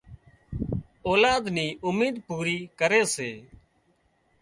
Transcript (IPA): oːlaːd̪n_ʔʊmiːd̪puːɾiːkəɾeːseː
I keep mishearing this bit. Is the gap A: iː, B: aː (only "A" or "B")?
A